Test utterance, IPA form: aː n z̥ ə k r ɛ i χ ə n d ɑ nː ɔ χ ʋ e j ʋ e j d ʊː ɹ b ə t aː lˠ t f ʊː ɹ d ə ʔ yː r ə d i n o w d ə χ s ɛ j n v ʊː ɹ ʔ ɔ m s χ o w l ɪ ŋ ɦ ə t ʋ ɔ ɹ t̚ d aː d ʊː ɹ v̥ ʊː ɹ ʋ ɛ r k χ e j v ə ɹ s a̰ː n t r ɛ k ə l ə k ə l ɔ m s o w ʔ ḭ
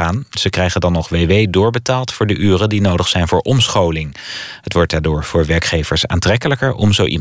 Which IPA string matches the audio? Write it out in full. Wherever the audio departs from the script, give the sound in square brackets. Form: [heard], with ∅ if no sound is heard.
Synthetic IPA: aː n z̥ ə k r ɛ [j] χ ə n d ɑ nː ɔ χ ʋ e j ʋ e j d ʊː ɹ b ə t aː lˠ t f ʊː ɹ d ə ʔ yː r ə d i n o w d ə χ s ɛ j n v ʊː ɹ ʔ ɔ m s χ o w l ɪ ŋ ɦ ə t ʋ ɔ ɹ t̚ d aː d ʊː ɹ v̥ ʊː ɹ ʋ ɛ [ɹ] k χ e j v ə ɹ s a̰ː n t r ɛ k ə l ə k ə [ɹ] ɔ m [z] o w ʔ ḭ